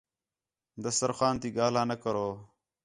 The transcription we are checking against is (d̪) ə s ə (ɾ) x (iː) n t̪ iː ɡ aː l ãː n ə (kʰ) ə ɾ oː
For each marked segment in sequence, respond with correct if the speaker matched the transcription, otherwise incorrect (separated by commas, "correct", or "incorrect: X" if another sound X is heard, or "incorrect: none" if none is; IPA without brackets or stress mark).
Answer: correct, correct, incorrect: aː, incorrect: k